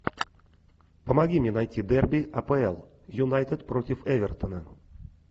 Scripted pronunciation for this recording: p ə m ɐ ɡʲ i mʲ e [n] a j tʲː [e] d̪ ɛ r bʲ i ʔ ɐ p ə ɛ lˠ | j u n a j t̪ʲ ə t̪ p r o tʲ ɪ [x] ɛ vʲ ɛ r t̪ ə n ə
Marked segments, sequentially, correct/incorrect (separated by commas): correct, incorrect, incorrect